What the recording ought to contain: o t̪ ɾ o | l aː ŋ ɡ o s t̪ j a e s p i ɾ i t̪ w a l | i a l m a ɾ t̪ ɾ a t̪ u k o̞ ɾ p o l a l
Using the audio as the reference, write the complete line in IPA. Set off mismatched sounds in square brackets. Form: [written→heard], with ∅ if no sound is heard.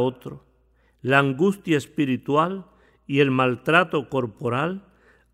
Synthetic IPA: o t̪ ɾ o | l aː ŋ ɡ [o→u] s t̪ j a e s p i ɾ i t̪ w a l | i [a→e] l m a [ɾ→l] t̪ ɾ a t̪ [u→o] k o̞ ɾ p o [l→ɾ] a l